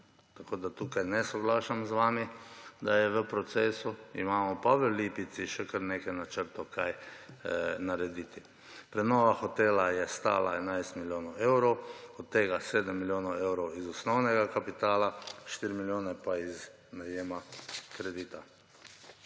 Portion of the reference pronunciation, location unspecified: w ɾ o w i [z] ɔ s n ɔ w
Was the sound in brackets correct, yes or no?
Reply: yes